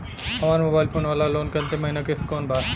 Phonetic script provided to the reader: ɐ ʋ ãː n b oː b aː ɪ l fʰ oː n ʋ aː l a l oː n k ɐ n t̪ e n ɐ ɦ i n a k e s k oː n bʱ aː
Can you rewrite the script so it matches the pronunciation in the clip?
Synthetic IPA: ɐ ʋ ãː n m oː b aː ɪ l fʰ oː n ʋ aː l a l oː n k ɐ n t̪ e m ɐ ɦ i n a k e s k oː n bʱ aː